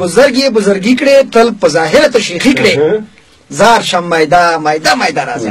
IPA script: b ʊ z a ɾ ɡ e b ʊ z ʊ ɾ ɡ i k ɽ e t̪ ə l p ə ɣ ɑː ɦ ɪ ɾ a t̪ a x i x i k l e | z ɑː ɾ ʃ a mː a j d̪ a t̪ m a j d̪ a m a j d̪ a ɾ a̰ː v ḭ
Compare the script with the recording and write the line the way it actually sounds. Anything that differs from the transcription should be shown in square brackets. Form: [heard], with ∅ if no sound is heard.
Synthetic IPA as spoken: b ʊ z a ɾ ɡ e b ʊ z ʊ ɾ ɡ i k ɽ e t̪ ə l p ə [z] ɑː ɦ ɪ ɾ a t̪ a [ʃ] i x i k [ɽ] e | z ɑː ɾ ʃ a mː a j d̪ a [∅] m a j d̪ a m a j d̪ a ɾ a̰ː [z] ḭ